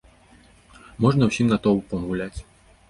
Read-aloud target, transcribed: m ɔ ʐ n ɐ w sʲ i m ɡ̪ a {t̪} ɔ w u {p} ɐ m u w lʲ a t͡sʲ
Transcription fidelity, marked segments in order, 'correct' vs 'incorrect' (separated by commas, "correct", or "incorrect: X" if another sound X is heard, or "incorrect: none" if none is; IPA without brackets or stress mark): correct, correct